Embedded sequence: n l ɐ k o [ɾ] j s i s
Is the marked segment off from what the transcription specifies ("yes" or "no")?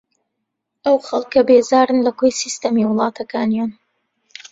yes